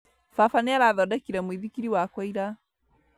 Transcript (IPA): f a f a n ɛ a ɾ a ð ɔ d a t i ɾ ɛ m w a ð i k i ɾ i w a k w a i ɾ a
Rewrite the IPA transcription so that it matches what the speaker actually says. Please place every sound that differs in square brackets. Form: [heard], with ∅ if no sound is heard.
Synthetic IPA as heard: f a f a n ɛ a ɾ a ð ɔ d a [k] i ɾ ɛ m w [i] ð i k i ɾ i w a k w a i ɾ a